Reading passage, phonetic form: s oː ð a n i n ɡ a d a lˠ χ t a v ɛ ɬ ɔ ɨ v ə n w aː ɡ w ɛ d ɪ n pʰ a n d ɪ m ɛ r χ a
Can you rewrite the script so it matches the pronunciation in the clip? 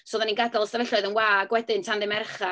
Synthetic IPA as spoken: s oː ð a n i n ɡ a d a lˠ s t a v ɛ ɬ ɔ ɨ ð ə n w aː ɡ w ɛ d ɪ n tʰ a n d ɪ m ɛ r χ a